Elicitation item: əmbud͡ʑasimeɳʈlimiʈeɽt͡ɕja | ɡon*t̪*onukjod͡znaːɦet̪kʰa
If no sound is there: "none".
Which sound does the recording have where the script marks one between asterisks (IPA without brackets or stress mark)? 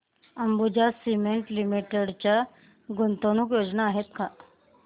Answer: t̪